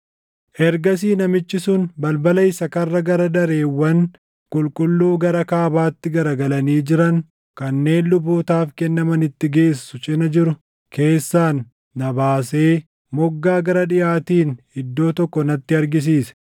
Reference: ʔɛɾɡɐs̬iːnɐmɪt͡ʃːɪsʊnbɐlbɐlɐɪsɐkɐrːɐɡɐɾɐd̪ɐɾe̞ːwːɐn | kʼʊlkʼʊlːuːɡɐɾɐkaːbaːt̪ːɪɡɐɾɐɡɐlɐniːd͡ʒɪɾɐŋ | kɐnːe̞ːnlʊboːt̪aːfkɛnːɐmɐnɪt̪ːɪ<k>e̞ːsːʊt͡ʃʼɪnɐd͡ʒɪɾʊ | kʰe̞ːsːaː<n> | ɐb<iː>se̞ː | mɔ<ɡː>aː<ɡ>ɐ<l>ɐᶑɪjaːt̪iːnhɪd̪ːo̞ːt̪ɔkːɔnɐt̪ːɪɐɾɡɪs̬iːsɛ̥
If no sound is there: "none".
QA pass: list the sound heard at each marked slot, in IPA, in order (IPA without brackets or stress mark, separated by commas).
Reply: ɡ, nː, aː, ɡː, ɡ, ɾ